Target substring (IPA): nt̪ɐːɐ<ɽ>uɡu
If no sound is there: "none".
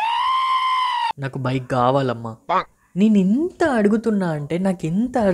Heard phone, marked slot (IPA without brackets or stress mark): ɽ